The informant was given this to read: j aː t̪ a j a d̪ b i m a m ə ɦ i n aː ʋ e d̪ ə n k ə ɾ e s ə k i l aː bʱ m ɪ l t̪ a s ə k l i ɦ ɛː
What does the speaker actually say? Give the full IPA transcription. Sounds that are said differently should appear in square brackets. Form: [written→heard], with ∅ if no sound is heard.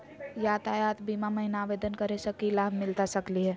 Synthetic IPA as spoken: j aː t̪ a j a [d̪→t̪] b i m a m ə ɦ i n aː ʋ e d̪ ə n k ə ɾ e s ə k i l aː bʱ m ɪ l t̪ a s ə k l i ɦ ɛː